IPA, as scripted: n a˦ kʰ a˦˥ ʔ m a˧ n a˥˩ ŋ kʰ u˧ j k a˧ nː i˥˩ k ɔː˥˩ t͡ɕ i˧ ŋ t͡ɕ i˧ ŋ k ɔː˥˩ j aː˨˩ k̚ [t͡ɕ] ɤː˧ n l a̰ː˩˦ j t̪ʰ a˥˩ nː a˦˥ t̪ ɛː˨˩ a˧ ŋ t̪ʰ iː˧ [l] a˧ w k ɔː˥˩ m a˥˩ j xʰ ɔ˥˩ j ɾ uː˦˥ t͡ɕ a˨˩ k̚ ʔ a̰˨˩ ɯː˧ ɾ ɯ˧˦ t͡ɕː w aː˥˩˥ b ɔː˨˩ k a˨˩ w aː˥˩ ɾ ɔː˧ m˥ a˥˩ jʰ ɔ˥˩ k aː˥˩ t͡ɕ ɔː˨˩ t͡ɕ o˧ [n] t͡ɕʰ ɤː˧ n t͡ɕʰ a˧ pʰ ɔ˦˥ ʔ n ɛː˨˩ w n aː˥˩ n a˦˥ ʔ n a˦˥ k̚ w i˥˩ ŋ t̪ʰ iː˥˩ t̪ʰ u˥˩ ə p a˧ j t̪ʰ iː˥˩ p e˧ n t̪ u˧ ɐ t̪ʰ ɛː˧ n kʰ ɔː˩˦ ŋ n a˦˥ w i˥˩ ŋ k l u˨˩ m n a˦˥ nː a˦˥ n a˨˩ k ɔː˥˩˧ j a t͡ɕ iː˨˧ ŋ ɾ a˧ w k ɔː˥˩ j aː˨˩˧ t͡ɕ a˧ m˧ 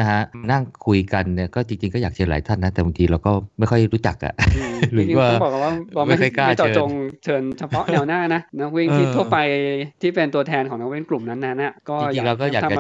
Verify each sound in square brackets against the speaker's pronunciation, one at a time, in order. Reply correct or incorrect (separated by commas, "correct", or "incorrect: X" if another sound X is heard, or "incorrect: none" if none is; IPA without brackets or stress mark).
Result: incorrect: t͡ɕʰ, incorrect: ɾ, incorrect: ŋ